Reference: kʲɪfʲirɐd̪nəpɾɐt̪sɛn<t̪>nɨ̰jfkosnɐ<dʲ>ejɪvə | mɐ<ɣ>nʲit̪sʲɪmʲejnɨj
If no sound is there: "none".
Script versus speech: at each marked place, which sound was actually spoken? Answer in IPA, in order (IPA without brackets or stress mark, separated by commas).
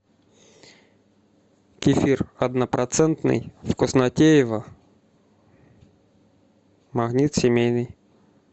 t̪, tʲ, ɣ